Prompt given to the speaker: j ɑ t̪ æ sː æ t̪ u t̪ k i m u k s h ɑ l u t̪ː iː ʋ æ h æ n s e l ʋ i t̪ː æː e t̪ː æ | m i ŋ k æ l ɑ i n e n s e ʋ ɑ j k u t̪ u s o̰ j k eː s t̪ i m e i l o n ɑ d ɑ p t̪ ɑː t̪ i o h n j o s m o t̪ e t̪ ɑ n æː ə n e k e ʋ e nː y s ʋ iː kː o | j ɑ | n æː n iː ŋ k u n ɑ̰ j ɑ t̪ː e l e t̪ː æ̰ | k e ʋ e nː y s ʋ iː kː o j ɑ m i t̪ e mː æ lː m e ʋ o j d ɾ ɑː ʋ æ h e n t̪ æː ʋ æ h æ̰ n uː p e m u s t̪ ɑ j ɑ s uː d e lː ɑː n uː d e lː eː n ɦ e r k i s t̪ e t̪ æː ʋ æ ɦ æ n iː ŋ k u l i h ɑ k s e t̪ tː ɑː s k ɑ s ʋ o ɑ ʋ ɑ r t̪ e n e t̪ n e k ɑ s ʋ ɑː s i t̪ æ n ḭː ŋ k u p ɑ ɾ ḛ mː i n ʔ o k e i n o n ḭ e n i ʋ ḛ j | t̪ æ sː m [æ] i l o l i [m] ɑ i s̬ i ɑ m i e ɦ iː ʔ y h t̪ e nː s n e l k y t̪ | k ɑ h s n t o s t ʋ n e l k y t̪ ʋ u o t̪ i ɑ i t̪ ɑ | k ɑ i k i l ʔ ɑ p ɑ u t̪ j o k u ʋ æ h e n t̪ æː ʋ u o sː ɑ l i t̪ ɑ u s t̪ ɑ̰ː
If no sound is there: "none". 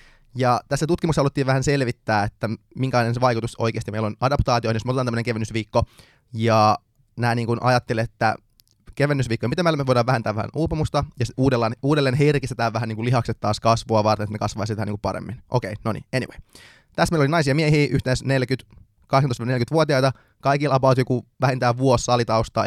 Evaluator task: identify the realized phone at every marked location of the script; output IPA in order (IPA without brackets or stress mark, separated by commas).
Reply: e, n